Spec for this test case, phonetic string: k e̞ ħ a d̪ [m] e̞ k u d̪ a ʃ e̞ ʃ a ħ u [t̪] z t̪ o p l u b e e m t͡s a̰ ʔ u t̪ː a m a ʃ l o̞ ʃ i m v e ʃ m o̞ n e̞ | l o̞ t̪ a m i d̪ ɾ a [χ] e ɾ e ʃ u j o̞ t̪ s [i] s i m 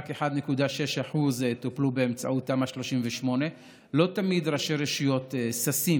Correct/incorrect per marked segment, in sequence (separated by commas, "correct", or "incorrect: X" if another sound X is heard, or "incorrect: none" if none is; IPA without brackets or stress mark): incorrect: n, incorrect: none, incorrect: ʃ, incorrect: a